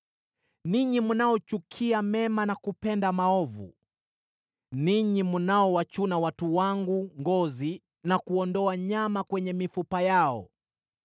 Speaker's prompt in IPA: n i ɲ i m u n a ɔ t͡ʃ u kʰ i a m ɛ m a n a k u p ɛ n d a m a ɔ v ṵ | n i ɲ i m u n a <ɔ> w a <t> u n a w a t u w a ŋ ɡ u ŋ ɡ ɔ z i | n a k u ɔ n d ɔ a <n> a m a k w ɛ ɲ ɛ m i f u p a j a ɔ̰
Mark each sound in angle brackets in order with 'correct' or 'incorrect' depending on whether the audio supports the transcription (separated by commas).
correct, incorrect, incorrect